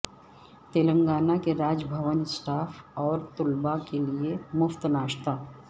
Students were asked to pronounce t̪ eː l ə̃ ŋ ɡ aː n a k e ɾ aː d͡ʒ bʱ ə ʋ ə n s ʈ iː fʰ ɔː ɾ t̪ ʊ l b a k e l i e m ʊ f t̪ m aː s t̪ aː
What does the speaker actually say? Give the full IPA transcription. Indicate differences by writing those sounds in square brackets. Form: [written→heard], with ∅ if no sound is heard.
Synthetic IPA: t̪ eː l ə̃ ŋ ɡ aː n a k e ɾ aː d͡ʒ bʱ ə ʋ ə n s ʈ [iː→aː] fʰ ɔː ɾ t̪ ʊ l b a k e l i e m ʊ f t̪ [m→n] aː [s→ʃ] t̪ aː